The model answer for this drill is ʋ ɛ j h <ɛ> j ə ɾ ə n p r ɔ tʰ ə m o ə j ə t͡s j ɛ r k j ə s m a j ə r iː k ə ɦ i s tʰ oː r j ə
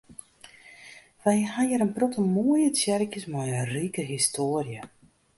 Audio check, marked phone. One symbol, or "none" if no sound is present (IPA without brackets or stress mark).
a